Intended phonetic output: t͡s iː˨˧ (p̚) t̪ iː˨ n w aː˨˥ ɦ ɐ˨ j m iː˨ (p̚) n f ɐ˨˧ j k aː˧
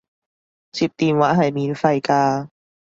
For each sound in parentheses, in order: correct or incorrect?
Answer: correct, incorrect

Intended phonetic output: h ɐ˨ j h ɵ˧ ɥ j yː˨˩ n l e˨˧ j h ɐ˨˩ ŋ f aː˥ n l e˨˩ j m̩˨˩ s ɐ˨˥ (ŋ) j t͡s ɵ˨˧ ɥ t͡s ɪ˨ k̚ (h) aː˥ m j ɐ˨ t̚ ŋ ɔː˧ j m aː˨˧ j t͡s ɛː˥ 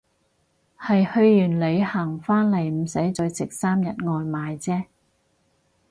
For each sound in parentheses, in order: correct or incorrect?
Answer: incorrect, incorrect

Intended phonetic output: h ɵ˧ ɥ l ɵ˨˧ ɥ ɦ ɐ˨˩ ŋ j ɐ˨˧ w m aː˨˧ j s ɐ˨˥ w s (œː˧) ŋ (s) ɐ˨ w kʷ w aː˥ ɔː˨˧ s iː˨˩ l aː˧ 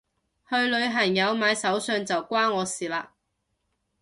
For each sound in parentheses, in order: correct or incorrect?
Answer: correct, incorrect

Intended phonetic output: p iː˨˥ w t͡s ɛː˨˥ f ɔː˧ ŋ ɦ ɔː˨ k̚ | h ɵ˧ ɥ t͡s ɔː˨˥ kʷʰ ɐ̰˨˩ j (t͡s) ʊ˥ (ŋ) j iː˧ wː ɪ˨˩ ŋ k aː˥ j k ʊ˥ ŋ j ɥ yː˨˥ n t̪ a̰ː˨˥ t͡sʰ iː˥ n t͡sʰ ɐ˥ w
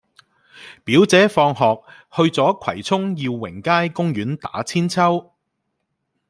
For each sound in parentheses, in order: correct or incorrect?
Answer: incorrect, correct

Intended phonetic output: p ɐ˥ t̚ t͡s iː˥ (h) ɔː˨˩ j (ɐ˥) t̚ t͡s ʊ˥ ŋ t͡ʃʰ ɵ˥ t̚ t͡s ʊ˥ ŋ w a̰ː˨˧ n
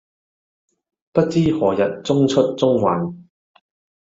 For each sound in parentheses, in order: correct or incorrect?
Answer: correct, incorrect

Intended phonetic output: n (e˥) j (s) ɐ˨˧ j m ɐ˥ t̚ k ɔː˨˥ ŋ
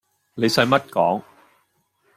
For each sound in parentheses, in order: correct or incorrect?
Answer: incorrect, correct

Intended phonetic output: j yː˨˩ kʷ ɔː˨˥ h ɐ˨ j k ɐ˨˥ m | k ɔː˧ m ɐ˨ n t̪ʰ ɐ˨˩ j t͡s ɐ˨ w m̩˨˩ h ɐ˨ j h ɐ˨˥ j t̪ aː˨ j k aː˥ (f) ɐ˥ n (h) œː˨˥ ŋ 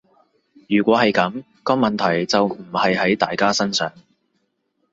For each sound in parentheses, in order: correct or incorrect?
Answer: incorrect, incorrect

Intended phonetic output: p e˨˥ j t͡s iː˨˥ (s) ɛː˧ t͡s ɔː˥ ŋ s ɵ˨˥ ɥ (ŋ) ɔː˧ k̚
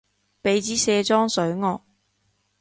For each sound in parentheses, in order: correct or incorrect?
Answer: correct, correct

